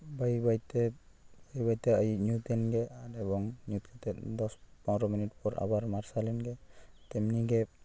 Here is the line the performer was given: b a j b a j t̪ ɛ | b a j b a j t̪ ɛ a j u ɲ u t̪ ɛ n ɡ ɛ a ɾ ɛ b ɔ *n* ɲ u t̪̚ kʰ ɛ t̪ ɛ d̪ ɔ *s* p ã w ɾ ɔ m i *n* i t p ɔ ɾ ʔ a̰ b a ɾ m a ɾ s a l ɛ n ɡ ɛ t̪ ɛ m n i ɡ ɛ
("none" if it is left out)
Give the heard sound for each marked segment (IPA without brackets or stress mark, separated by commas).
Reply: ŋ, s, n